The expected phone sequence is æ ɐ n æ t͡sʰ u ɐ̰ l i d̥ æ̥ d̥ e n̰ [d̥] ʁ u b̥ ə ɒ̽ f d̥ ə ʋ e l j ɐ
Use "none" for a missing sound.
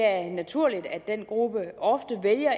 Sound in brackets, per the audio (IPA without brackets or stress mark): ɡ̥